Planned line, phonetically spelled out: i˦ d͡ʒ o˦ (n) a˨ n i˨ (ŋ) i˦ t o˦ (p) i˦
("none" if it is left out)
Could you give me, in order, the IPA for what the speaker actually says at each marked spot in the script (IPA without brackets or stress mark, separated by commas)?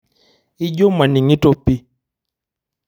m, ŋ, p